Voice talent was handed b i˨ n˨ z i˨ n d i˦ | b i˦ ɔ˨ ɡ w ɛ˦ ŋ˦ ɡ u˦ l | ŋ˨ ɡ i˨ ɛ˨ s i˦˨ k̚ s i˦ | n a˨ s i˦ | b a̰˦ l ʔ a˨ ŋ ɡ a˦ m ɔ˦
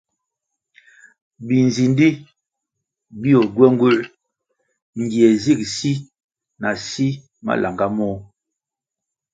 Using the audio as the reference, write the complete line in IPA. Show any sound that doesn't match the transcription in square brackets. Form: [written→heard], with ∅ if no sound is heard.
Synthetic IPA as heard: b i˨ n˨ z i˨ n d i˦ | b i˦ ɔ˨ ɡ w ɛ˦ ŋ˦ ɡ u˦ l | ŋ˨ ɡ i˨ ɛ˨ [s→z] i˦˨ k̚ s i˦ | n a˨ s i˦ | [b→m] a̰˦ l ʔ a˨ ŋ ɡ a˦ m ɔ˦